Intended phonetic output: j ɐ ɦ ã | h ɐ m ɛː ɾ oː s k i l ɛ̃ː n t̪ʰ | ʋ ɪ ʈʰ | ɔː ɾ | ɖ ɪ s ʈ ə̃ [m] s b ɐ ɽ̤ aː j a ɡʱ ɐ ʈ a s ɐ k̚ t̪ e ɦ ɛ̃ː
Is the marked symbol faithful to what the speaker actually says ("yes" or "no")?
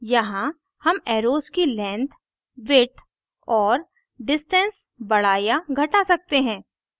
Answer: no